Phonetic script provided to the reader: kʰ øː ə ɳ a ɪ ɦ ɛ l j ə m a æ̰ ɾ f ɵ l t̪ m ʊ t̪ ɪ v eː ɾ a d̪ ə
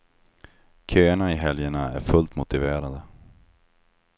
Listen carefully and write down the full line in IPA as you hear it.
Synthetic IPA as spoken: kʰ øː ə ɳ a ɪ ɦ ɛ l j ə ɳ a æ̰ ɾ f ɵ l t̪ m ʊ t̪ ɪ v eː ɾ a d̪ ə

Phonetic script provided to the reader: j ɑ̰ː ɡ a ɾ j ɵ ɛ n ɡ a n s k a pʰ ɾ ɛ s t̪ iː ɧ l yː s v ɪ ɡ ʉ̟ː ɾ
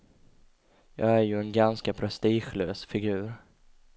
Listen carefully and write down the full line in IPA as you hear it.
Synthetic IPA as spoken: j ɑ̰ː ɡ æ ɾ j ɵ ɛ n ɡ a n s k a pʰ ɾ ɛ s t̪ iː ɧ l øː s f ɪ ɡ ʉ̟ː ɾ

